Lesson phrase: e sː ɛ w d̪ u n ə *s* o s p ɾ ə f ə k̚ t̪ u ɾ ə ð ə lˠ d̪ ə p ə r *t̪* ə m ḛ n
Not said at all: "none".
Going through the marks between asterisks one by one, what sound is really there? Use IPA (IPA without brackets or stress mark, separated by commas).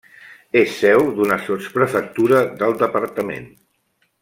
s, t̪